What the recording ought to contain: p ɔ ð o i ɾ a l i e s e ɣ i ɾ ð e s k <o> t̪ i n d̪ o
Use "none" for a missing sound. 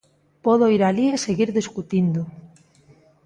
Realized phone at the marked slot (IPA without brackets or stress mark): u